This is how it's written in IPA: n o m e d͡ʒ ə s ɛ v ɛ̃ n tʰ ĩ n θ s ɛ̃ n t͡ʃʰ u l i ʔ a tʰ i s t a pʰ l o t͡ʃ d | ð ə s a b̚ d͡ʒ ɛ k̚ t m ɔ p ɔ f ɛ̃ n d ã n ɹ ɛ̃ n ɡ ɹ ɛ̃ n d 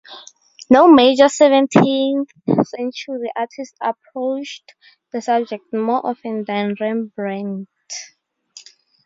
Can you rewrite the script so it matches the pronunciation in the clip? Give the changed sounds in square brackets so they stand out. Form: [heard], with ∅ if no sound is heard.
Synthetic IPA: n o m e d͡ʒ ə s ɛ v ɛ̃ n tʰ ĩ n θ s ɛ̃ n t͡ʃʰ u [ɹ] i ʔ a tʰ i s t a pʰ [ɹ] o t͡ʃ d | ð ə s a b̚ d͡ʒ ɛ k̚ t m ɔ [ʔ] ɔ f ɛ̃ n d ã n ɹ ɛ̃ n [b] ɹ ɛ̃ n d